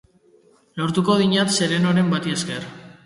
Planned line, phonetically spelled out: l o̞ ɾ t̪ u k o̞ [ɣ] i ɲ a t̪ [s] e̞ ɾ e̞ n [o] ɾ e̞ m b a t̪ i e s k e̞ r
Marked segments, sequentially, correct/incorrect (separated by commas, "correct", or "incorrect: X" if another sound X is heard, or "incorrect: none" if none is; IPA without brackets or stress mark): incorrect: ð, correct, correct